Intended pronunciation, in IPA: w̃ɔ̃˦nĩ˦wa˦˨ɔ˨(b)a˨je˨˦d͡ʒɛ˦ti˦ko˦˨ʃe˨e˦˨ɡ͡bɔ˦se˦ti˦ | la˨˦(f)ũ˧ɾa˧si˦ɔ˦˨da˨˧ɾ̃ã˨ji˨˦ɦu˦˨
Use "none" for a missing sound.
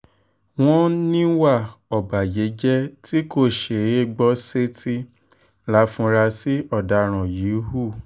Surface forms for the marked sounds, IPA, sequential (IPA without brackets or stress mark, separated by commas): b, f